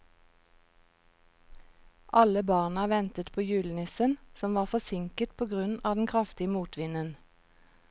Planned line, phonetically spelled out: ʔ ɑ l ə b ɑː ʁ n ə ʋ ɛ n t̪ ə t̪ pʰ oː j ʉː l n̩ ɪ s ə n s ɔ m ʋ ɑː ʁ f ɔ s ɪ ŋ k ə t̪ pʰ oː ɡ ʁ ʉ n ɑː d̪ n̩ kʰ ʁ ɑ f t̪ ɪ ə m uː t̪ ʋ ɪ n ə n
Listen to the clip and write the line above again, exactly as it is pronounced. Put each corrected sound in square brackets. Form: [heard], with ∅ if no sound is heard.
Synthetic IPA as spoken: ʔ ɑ l ə b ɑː ʁ n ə ʋ ɛ n t̪ ə t̪ pʰ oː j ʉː l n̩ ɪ s ə n s ɔ m ʋ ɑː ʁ f ɔ s ɪ ŋ k ə t̪ pʰ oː ɡ ʁ ʉ n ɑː d̪ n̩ kʰ ʁ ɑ f t̪ ɪ ə m uː t̪ ʋ ɪ n ə n

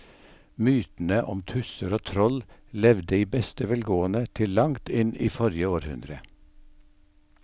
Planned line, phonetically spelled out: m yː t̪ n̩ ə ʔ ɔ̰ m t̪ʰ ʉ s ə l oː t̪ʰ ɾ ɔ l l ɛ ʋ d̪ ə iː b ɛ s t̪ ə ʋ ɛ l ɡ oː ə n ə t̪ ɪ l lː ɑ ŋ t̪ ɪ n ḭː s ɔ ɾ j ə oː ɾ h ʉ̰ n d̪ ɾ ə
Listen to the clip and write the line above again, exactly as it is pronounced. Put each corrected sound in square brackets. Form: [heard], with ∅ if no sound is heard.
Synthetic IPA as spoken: m yː t̪ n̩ ə ʔ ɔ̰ m t̪ʰ ʉ s ə [ɾ] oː t̪ʰ ɾ ɔ l l ɛ ʋ d̪ ə iː b ɛ s t̪ ə ʋ ɛ l ɡ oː ə n ə [t̪ʰ] ɪ l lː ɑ ŋ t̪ ɪ n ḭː [f] ɔ ɾ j ə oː ɾ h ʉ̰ n d̪ ɾ ə

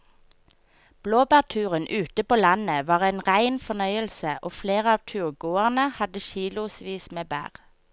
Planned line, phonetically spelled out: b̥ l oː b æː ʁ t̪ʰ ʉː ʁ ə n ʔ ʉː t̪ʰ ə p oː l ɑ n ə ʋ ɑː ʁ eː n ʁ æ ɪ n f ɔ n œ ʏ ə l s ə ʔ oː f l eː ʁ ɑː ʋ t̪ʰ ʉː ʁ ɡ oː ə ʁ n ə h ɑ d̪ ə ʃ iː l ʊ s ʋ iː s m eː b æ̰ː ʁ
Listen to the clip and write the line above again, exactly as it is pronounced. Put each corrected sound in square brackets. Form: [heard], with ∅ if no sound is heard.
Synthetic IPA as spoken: b̥ l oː b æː ʁ t̪ʰ ʉː ʁ ə n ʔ ʉː [t̪] ə p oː l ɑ n ə ʋ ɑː ʁ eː n ʁ æ ɪ n f ɔ n œ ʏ ə l s ə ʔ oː f l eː ʁ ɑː ʋ t̪ʰ ʉː ʁ ɡ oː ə ʁ n ə h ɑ d̪ ə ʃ iː l ʊ s ʋ iː s m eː b æ̰ː ʁ

